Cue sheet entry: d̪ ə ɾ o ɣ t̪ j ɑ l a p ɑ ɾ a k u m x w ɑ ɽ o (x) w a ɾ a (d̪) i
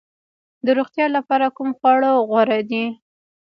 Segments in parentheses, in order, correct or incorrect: incorrect, correct

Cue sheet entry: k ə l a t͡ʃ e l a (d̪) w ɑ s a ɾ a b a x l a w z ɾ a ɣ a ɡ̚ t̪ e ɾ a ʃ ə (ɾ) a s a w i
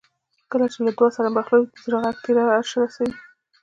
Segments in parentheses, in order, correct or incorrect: correct, correct

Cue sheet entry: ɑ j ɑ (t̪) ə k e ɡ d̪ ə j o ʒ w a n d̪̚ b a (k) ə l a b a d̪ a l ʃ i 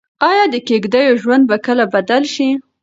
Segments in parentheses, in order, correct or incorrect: incorrect, correct

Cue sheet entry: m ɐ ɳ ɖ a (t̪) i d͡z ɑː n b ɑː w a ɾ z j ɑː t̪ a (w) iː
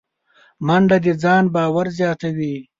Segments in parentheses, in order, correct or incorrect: incorrect, correct

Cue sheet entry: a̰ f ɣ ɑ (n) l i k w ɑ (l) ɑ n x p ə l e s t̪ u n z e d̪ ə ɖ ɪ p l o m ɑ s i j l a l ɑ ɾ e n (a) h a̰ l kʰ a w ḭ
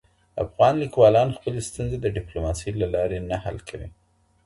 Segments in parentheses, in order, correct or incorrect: correct, correct, correct

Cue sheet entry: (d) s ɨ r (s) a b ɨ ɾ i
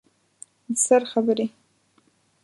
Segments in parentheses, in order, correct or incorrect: correct, incorrect

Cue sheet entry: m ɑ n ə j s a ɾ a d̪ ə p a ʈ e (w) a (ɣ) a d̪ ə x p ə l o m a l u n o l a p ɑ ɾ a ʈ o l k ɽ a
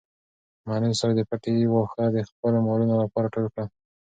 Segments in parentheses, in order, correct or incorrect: correct, incorrect

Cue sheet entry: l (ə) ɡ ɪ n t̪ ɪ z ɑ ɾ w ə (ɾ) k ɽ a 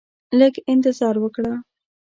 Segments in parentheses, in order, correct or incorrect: correct, incorrect

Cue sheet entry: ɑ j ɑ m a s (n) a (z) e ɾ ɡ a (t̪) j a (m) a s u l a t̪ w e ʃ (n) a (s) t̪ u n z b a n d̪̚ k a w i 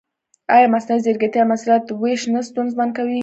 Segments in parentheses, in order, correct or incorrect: correct, correct, correct, correct, correct, correct

